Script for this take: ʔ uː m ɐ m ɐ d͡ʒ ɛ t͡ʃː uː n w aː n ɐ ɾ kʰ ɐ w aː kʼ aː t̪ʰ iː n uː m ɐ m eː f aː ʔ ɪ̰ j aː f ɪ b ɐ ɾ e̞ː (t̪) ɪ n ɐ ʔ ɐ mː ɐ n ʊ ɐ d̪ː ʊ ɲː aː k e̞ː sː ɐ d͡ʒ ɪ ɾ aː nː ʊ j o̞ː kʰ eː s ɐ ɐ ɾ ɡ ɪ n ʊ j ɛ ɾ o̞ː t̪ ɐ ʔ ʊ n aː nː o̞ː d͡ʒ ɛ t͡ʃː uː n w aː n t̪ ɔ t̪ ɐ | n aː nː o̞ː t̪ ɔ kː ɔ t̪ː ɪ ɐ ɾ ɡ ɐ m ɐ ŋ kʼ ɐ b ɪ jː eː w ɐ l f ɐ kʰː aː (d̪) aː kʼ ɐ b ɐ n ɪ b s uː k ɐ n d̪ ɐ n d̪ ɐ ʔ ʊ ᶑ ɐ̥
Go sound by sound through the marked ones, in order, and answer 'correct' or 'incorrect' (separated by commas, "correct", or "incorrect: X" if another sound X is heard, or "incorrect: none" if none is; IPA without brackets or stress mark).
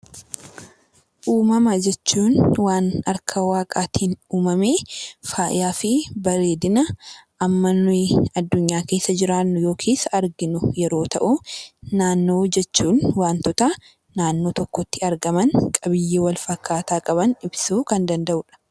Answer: incorrect: d̪, incorrect: t̪